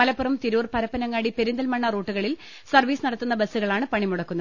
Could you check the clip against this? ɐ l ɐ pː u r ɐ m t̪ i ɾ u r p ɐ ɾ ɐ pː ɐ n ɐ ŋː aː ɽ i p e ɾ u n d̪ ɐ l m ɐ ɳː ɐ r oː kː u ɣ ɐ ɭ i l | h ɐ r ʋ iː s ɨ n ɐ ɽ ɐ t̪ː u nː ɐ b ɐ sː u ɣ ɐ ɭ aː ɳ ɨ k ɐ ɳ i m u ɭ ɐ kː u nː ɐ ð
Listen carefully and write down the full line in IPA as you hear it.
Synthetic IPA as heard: ɐ l ɐ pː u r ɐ m t̪ i ɾ uː r p ɐ ɾ ɐ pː ɐ n ɐ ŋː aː ɽ i p e ɾ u n d̪ ɐ l m ɐ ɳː ɐ r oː ʈː u ɣ ɐ ɭ i l | s ɐ r ʋ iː s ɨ n ɐ ɽ ɐ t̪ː u nː ɐ b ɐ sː u ɣ ɐ ɭ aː ɳ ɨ p ɐ ɳ i m u ɽ ɐ kː u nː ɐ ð

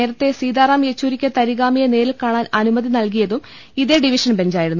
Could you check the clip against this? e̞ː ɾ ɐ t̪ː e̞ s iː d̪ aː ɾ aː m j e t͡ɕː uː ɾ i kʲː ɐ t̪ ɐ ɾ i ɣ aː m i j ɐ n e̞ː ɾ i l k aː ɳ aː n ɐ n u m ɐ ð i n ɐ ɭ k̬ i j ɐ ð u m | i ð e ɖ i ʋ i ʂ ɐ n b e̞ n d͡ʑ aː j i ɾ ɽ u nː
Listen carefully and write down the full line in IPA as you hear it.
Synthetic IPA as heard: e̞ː ɾ ɐ t̪ː e̞ s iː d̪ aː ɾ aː m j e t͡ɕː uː ɾ i kʲː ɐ t̪ ɐ ɾ i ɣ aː m i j ɐ n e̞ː ɾ i l k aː ɳ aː n ɐ n u m ɐ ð i n ɐ l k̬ i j ɐ ð u m | i ð e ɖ i ʋ i ʂ ɐ n b e̞ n d͡ʑ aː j i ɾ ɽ u nː

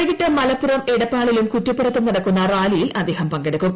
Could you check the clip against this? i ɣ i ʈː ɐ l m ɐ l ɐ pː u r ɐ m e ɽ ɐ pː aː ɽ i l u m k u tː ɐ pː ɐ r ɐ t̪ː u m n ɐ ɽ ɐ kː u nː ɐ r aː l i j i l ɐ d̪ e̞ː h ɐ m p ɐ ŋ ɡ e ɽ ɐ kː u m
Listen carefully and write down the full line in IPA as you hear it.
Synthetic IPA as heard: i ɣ i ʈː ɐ m ɐ l ɐ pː u r ɐ m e ɽ ɐ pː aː ɭ i l u m k u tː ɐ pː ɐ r ɐ t̪ː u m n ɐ ɽ ɐ kː u nː ɐ r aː l i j i l ɐ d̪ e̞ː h ɐ m p ɐ ŋ ɡ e ɽ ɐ kː u m

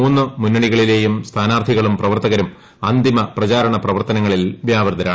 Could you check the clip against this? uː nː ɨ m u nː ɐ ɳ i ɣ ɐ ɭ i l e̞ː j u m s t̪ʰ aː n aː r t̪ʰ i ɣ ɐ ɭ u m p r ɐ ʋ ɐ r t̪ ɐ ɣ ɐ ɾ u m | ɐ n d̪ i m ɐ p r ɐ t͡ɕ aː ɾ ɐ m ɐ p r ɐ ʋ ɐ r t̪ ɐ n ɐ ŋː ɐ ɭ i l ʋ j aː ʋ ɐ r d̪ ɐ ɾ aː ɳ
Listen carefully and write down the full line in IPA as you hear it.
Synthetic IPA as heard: uː nː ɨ m u nː ɐ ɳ i ɣ ɐ ɭ i l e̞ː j u m s t̪ʰ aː n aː r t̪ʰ i ɣ ɐ ɭ u m p r ɐ ʋ ɐ r t̪ ɐ ɣ ɐ ɾ u m | ɐ n d̪ i m ɐ p r ɐ t͡ɕ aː ɾ ɐ ɳ ɐ p r ɐ ʋ ɐ r t̪ ɐ n ɐ ŋː ɐ ɭ i l ʋ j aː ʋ ɐ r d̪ ɐ ɾ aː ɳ

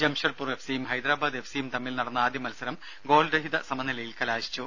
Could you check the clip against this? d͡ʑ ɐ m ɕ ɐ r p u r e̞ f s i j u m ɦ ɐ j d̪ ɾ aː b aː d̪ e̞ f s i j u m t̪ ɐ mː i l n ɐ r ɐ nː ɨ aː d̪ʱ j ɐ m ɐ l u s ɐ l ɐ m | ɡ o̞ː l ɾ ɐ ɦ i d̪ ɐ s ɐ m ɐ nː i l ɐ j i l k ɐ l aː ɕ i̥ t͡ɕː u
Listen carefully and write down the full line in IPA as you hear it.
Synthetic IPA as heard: d͡ʑ ɐ m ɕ ɐ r p u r e̞ f s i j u m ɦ ɐ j d̪ ɾ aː b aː d̪ e̞ f s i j u m t̪ ɐ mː i l n ɐ ɽ ɐ nː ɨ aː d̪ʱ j ɐ m ɐ l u s ɐ ɾ ɐ m | ɡ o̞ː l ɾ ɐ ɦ i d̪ ɐ s ɐ m ɐ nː i l ɐ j i l k ɐ l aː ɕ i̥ t͡ɕː u

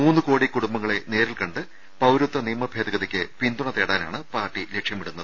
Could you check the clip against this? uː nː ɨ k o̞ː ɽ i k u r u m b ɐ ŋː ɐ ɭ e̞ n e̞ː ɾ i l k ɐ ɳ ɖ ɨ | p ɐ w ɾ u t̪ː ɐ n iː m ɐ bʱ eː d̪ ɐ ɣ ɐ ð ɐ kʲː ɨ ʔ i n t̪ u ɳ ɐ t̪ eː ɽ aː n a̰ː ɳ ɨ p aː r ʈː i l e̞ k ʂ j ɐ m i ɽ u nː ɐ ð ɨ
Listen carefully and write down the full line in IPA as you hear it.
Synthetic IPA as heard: uː nː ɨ k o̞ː ɽ i k u ɽ u m b ɐ ŋː ɐ ɭ e̞ n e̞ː ɾ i l k ɐ ɳ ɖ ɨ | p ɐ w ɾ u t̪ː ɐ n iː m ɐ bʱ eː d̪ ɐ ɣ ɐ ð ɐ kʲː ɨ p i n d̪ u ɳ ɐ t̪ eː ɽ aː n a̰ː ɳ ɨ p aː r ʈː i l e̞ k ʂ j ɐ m i ɽ u nː ɐ ð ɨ

